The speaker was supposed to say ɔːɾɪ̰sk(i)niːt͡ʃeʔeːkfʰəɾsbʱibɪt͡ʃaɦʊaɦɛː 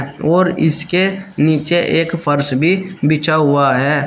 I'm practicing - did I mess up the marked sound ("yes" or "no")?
yes